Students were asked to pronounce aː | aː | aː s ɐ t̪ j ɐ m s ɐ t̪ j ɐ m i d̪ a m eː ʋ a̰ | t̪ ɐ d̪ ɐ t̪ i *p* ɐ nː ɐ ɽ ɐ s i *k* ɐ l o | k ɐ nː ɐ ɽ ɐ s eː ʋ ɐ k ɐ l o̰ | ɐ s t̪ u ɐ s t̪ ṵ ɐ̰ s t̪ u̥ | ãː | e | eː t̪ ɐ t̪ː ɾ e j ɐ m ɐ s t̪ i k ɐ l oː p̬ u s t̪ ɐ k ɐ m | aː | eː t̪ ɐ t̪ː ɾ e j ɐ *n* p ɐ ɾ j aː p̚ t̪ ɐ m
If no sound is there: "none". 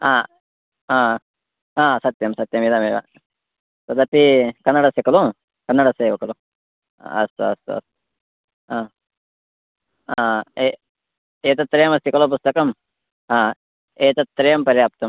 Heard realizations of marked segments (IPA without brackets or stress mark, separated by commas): k, k, m